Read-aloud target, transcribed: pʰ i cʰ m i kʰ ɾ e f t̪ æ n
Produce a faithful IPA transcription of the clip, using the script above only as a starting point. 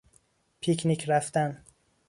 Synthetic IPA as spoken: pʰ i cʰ n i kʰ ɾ æ f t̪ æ n